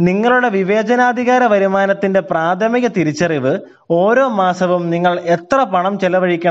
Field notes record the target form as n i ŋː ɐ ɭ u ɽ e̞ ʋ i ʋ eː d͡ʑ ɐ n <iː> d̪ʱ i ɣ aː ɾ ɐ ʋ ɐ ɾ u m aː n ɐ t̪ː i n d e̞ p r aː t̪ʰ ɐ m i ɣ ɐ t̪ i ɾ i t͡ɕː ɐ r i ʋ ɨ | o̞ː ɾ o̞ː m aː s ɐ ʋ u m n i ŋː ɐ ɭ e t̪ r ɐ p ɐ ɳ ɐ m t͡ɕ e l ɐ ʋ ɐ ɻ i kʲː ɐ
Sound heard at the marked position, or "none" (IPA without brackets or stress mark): aː